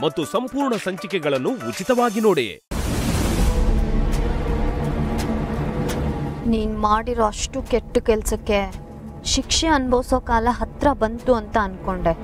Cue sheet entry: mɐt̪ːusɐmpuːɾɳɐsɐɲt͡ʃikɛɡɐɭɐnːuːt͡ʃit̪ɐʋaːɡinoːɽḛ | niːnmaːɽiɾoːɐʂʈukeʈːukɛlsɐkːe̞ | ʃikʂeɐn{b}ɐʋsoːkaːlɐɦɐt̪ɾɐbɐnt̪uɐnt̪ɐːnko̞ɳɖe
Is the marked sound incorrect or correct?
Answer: correct